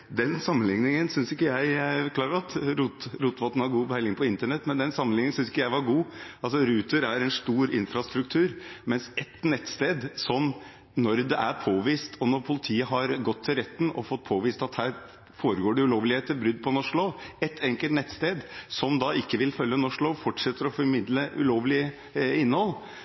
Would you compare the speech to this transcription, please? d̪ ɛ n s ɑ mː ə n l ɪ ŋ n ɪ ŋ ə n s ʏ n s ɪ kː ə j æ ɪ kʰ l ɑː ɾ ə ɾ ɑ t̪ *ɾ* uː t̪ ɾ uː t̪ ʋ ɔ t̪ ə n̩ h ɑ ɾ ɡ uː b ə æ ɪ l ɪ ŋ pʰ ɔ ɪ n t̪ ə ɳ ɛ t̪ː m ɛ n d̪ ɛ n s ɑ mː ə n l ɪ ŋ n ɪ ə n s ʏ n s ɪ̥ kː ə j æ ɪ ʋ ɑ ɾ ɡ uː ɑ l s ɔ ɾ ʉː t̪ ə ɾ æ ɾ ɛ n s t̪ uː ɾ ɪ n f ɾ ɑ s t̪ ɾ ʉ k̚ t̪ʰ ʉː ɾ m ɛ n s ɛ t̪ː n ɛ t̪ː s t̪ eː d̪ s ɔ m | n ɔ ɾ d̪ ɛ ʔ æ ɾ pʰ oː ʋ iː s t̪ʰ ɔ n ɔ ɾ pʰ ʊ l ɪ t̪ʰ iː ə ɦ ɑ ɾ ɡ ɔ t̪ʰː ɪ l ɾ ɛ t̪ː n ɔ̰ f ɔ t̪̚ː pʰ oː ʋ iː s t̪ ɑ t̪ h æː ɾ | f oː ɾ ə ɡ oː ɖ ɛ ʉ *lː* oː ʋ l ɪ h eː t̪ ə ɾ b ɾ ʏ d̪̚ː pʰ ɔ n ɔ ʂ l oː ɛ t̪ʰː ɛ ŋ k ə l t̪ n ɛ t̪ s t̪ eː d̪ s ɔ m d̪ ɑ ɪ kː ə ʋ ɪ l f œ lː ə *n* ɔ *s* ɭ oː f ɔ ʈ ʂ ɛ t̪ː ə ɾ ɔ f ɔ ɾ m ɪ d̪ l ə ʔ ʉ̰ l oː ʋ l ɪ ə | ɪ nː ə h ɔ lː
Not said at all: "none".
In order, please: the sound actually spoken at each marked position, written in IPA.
ɾ, l, n, ʂ

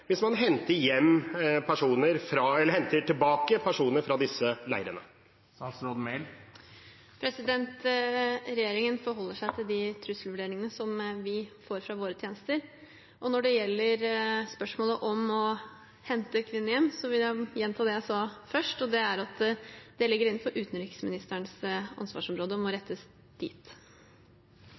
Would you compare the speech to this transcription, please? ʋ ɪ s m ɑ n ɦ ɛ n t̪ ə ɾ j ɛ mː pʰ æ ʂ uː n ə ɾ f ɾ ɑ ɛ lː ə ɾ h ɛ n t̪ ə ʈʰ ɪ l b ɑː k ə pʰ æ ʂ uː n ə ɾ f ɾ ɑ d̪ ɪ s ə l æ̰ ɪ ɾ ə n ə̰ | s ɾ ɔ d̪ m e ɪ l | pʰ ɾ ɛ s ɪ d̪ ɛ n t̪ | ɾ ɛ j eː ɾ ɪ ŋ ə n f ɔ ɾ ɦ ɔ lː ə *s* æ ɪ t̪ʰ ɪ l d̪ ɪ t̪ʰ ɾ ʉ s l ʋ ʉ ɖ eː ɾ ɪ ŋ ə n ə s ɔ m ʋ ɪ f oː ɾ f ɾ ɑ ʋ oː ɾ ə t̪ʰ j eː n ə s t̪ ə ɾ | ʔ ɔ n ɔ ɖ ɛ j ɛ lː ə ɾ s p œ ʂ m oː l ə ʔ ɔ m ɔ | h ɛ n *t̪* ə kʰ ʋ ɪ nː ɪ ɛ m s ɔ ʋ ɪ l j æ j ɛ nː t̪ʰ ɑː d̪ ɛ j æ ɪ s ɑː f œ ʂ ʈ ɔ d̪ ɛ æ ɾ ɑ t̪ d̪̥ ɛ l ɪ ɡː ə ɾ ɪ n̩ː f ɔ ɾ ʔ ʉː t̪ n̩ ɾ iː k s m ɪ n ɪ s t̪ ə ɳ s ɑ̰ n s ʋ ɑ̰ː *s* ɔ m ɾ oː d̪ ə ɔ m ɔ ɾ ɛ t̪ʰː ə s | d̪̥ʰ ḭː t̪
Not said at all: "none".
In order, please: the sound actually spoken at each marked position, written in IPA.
ʂ, t̪, ʂ

